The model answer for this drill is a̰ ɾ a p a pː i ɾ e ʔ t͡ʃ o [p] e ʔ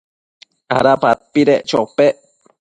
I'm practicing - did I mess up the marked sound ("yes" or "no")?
no